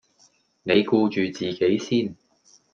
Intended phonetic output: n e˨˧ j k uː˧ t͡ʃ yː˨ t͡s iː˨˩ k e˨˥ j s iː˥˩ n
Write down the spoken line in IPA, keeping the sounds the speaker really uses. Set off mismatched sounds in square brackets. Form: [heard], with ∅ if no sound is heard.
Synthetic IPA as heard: n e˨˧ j k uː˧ t͡ʃ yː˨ t͡s iː˨˩ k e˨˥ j s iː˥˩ n